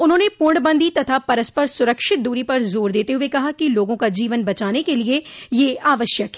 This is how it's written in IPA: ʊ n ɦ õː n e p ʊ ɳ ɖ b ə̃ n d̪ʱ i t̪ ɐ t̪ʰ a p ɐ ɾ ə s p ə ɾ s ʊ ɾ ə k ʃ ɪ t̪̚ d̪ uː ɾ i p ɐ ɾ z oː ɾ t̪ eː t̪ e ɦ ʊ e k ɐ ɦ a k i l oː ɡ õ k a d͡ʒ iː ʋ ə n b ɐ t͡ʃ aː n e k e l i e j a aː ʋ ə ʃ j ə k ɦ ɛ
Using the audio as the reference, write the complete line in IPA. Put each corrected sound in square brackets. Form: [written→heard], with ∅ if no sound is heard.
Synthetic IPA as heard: ʊ n ɦ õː n e p ʊ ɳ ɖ b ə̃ n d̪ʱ i t̪ ɐ t̪ʰ a p ɐ ɾ ə s p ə ɾ s ʊ ɾ ə k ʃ ɪ t̪̚ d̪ uː ɾ i p ɐ ɾ z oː ɾ [t̪→d̪] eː t̪ e ɦ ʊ e k ɐ ɦ a k i l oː ɡ õ k a d͡ʒ iː ʋ ə n b ɐ t͡ʃ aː n e k e l i e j [a→e] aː ʋ ə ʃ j ə k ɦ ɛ